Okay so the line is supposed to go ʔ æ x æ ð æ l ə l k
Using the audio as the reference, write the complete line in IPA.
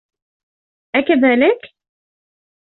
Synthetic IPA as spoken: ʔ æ k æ ð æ l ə k

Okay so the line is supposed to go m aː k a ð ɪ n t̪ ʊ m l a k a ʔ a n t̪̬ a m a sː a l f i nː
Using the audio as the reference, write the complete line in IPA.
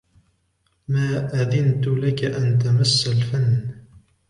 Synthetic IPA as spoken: m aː ʔ a ð ɪ n t̪ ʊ l a k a ʔ a n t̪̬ a m a sː a l f a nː

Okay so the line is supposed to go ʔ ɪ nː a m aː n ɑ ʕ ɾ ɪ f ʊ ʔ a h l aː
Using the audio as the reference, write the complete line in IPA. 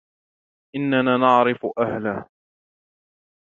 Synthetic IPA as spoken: ʔ ɪ nː a n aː n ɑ ʕ ɾ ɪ f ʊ ʔ a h l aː

